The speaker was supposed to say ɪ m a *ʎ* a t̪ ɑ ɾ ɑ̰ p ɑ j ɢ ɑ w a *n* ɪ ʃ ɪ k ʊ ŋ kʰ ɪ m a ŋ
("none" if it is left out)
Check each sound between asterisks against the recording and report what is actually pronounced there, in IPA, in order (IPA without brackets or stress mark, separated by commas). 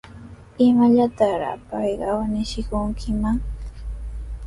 ʎ, n